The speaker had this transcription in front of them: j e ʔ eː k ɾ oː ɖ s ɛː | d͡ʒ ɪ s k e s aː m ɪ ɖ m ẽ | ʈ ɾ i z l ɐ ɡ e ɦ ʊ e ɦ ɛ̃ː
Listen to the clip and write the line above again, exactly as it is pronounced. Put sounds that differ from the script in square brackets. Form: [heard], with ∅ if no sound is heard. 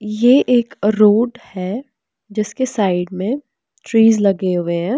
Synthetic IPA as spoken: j e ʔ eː k ɾ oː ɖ [h] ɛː | d͡ʒ ɪ s k e s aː [∅] ɪ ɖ m ẽ | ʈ ɾ [iː] z l ɐ ɡ e ɦ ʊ e ɦ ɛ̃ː